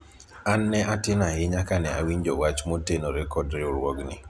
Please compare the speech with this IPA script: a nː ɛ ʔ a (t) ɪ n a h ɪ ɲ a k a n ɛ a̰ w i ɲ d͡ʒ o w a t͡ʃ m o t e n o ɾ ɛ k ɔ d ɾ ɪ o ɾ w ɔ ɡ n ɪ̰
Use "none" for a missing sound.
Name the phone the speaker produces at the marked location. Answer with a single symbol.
t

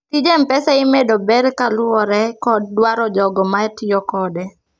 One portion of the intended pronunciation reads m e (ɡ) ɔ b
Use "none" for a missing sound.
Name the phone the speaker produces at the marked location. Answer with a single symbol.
d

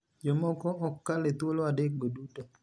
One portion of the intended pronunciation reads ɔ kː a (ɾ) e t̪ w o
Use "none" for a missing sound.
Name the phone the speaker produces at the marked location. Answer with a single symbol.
l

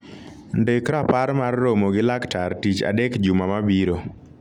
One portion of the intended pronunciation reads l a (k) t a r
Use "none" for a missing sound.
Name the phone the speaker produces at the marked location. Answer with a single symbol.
k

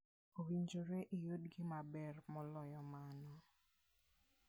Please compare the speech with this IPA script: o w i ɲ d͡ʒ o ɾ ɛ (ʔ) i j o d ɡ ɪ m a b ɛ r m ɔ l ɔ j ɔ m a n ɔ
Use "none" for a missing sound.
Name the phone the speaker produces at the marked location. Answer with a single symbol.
ʔ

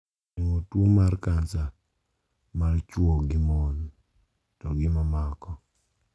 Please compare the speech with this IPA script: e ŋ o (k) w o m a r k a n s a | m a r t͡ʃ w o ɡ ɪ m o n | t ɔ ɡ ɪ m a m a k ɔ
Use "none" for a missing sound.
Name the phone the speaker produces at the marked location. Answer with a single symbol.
t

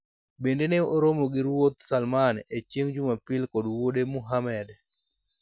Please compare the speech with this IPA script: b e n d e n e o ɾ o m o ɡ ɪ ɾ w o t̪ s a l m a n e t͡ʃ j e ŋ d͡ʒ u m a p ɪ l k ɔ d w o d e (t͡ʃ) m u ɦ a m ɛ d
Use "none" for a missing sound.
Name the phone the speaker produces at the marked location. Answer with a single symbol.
none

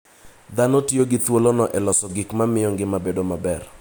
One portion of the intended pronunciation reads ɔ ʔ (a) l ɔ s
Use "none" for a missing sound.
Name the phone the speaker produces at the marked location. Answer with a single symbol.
ɛ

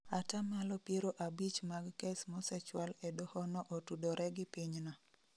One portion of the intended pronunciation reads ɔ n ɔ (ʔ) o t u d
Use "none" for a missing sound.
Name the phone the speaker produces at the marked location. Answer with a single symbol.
ʔ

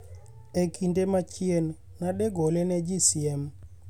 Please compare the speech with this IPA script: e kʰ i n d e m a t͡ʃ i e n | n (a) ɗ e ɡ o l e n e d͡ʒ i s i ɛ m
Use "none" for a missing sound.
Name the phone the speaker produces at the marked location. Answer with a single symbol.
a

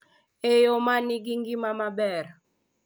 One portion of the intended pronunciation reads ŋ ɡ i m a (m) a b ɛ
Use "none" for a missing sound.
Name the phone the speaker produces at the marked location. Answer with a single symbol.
m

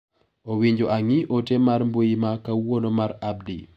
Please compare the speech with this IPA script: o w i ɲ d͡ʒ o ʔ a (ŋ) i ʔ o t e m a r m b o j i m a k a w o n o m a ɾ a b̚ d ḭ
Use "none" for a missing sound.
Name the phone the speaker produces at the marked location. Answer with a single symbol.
ŋ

